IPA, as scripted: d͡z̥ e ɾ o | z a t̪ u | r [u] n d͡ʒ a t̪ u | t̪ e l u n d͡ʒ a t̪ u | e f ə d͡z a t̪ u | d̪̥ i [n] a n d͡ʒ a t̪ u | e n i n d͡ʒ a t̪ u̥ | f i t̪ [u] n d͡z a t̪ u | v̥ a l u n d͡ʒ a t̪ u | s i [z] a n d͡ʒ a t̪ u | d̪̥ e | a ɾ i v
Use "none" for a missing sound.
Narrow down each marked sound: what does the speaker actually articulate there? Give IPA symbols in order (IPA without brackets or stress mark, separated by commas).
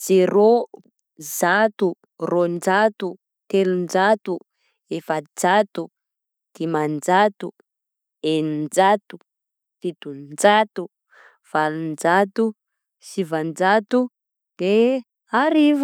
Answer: o, m, u, v